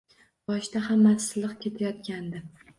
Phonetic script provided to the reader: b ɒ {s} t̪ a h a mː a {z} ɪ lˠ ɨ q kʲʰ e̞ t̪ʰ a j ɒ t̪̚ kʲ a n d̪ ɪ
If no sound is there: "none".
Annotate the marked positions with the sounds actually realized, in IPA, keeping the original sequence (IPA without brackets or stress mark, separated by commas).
ʃ, s